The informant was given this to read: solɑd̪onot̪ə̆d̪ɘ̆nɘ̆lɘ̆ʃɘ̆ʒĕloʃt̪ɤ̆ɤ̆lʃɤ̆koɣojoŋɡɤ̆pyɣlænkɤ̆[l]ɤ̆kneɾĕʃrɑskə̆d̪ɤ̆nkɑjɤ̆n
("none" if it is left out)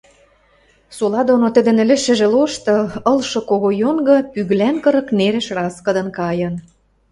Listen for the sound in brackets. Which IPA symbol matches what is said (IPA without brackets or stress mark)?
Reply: ɾ